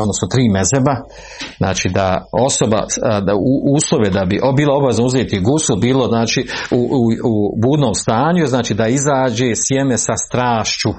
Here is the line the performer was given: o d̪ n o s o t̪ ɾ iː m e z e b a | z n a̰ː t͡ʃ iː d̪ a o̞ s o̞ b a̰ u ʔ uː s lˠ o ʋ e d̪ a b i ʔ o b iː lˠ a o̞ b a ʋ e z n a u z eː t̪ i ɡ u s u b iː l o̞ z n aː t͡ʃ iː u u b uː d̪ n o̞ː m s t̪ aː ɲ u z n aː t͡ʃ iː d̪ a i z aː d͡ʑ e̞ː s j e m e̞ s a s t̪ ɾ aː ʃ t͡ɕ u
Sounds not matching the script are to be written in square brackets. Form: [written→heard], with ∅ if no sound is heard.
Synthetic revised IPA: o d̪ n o s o t̪ ɾ iː m e z e b a | z n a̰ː t͡ʃ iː d̪ a o̞ s o̞ b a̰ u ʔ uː s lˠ o ʋ e d̪ a b i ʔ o b iː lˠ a o̞ b a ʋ e z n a u z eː t̪ i ɡ u s u b iː l o̞ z n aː t͡ʃ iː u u b uː d̪ n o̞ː m s t̪ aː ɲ u z n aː t͡ʃ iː d̪ a i z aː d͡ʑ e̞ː s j e m e̞ s a s t̪ ɾ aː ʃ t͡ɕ u